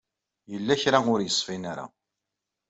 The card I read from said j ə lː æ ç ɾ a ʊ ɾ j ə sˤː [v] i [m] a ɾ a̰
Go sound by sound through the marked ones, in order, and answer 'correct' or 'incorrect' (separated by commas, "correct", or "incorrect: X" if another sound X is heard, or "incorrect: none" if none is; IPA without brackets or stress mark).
incorrect: f, incorrect: n